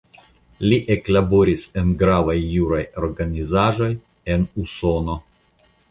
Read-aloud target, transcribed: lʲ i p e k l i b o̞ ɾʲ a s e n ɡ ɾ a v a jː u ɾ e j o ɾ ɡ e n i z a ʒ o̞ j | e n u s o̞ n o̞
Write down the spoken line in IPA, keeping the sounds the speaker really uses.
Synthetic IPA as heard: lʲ i ʔ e k l a b o̞ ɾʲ i s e n ɡ ɾ a v a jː u ɾ a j o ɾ ɡ a n i z a ʒ o̞ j | e n u s o̞ n o̞